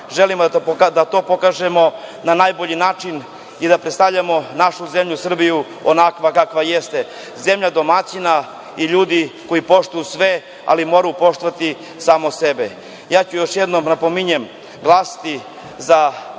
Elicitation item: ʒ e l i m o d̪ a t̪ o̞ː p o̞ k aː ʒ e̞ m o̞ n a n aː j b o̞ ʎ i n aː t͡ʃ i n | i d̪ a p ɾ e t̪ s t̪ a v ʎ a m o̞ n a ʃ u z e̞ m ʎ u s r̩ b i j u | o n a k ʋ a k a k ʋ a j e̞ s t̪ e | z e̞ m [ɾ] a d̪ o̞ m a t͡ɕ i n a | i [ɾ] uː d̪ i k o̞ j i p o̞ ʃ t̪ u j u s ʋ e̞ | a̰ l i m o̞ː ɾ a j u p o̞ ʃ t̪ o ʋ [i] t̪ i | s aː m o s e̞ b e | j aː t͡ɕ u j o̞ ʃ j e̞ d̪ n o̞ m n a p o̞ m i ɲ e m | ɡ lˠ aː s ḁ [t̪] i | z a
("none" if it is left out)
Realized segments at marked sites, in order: ʎ, ʎ, a, t̪

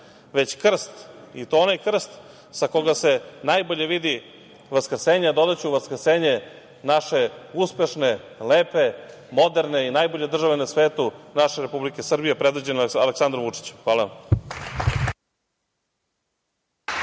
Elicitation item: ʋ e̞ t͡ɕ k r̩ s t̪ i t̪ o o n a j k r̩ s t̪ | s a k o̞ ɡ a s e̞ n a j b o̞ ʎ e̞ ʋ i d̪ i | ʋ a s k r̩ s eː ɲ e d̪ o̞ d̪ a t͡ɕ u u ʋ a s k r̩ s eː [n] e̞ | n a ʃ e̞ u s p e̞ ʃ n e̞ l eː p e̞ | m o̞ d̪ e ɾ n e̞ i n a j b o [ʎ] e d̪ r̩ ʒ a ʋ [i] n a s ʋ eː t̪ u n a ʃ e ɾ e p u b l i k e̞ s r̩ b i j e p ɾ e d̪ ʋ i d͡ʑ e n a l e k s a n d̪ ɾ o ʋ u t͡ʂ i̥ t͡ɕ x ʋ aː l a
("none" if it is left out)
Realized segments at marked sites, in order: ɲ, ʎ, e

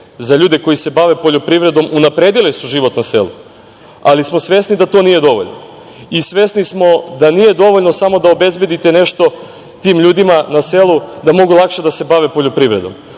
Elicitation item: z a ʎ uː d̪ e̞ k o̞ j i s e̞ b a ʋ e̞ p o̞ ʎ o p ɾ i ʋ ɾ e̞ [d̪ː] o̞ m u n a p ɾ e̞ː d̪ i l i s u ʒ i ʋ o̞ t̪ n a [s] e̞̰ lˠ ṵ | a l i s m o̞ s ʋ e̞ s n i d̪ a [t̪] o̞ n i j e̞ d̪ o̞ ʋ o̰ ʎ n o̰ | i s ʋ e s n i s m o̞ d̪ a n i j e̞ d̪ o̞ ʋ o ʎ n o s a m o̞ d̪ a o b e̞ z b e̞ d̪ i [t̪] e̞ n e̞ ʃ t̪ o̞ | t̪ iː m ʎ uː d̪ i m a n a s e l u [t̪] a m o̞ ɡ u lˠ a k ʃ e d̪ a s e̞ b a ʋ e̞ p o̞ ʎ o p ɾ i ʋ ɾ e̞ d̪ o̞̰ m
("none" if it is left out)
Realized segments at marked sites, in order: d̪, s, t̪, t̪, d̪

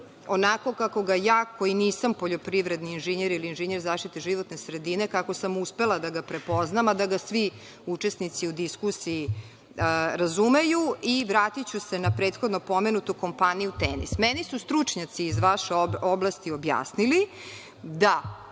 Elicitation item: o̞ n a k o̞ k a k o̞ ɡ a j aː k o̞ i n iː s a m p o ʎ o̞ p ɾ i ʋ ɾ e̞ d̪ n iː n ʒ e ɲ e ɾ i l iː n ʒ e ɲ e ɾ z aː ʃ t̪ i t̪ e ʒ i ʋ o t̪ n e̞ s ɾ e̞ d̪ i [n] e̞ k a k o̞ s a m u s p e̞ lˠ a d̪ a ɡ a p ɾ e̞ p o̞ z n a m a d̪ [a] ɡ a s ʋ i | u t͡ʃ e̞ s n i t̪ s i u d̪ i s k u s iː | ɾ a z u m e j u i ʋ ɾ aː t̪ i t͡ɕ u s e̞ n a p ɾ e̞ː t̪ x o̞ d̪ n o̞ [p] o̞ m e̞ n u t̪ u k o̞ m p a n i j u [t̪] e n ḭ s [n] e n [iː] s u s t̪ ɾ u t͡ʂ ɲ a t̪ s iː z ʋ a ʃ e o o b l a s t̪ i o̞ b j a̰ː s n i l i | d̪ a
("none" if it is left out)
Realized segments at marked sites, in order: n, a, p, t̪, m, i

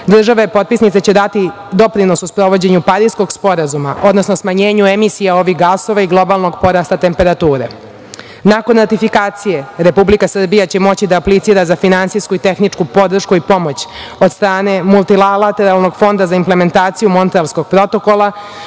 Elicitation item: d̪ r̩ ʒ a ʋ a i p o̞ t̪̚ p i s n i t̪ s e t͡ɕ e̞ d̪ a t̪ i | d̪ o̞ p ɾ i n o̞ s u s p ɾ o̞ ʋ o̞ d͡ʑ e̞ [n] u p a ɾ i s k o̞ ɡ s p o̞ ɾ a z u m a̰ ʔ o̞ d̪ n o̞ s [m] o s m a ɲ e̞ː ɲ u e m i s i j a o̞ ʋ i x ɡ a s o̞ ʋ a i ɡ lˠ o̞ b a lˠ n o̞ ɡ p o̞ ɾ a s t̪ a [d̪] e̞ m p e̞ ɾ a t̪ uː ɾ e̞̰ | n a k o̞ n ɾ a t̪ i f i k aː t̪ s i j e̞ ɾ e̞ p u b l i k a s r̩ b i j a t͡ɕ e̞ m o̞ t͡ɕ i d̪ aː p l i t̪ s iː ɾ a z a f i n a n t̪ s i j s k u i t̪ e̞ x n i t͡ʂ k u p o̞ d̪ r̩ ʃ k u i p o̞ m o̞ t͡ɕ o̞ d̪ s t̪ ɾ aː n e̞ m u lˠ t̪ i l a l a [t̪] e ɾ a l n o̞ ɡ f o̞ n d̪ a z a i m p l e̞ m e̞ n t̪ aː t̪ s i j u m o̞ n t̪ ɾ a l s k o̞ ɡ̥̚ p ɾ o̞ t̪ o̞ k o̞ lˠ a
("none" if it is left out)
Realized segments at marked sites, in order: ɲ, n, t̪, t̪

